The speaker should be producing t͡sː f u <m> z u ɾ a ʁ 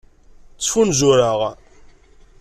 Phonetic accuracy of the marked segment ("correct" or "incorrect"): incorrect